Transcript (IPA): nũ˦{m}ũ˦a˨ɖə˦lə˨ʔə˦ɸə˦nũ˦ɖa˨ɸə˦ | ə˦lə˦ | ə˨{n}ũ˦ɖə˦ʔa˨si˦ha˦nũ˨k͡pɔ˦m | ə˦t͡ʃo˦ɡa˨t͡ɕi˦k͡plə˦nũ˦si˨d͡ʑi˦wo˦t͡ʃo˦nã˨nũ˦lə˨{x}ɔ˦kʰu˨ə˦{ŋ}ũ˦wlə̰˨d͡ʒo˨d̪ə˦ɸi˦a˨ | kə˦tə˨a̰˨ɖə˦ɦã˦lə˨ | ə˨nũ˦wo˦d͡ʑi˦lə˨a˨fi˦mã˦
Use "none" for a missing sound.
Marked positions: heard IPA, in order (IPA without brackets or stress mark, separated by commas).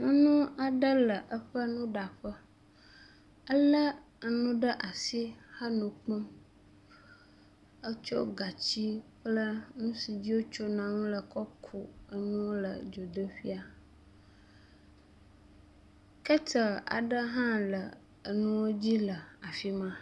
n, n, k, n